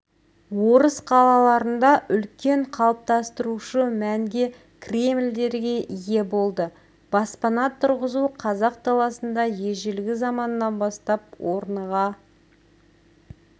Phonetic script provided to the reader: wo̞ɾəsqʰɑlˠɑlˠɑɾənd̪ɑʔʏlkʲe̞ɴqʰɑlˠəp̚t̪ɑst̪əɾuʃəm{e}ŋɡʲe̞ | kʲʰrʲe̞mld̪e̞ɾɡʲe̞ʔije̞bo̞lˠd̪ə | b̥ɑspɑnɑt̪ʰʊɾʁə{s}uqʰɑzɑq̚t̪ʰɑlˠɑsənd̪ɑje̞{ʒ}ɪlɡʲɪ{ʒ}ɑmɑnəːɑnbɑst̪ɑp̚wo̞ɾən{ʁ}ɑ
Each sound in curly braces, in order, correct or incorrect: incorrect: æ, incorrect: z, correct, incorrect: z, correct

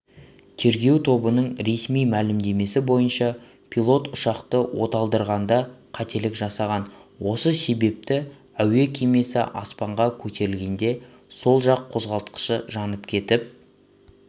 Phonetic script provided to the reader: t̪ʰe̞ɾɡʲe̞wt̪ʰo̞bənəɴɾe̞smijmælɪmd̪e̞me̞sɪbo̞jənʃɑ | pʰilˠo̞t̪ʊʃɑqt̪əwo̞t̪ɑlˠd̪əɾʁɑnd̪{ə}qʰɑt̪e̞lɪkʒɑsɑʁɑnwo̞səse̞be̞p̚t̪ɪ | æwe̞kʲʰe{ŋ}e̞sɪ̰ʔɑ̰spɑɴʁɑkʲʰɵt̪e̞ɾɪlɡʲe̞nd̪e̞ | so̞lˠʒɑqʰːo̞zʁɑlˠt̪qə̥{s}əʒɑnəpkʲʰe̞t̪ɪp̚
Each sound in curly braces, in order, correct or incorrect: incorrect: ɑ, incorrect: m, incorrect: ʃ

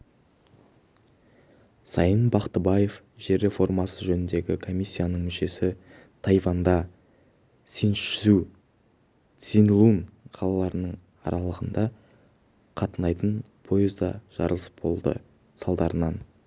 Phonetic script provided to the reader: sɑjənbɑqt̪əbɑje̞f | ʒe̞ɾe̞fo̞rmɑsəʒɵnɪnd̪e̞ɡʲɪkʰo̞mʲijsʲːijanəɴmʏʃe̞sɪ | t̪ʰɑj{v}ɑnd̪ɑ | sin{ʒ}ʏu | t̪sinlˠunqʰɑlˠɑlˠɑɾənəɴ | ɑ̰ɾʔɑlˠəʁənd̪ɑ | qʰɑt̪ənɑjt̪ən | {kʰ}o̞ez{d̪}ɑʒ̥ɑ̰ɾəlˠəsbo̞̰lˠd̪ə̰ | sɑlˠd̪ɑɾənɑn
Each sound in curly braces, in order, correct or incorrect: correct, incorrect: ʃ, incorrect: pʰ, correct

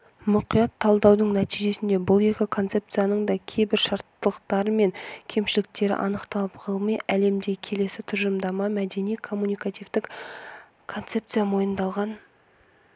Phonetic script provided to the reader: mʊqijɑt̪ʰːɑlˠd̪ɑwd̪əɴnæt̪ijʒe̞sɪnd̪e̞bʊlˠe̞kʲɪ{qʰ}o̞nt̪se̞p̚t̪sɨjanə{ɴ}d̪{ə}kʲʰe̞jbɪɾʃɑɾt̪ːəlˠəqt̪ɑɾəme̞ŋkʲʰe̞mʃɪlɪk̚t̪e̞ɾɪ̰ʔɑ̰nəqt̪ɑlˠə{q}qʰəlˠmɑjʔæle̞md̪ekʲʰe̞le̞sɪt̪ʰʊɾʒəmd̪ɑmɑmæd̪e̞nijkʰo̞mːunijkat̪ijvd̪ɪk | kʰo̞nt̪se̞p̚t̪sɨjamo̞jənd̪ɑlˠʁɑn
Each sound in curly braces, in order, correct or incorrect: incorrect: kʰ, correct, incorrect: ɑ, incorrect: p

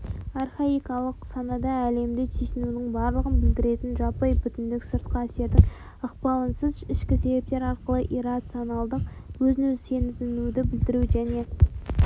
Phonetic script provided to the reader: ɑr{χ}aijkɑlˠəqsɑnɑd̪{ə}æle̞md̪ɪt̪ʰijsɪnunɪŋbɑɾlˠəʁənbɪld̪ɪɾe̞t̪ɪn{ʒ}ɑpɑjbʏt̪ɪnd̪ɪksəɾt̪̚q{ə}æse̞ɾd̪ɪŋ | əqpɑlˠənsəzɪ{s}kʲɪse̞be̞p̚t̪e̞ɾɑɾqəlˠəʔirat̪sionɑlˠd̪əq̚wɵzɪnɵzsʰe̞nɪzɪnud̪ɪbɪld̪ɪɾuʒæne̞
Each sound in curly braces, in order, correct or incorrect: correct, incorrect: ɑ, correct, incorrect: ɑ, incorrect: ʃ

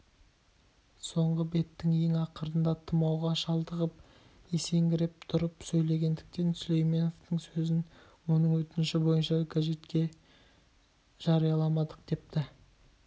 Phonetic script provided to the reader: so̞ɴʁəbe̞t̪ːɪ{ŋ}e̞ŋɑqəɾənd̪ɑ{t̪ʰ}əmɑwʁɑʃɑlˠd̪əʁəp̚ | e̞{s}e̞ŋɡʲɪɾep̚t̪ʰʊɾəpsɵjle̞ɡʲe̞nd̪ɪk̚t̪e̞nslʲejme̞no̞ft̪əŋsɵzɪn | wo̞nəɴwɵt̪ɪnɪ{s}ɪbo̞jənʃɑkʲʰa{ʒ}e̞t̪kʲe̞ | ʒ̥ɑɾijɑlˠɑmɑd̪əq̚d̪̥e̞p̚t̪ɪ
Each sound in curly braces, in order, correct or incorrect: correct, correct, correct, incorrect: ʃ, correct

